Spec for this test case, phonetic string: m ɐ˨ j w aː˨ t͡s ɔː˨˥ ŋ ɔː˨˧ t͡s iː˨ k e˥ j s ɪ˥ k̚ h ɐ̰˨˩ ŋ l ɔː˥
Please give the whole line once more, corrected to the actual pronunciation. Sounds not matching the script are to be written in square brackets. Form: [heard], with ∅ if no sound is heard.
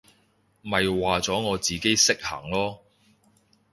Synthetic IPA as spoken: m ɐ˨ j w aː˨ t͡s ɔː˨˥ ŋ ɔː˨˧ t͡s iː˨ k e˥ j s ɪ˥ k̚ h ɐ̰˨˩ ŋ l ɔː˥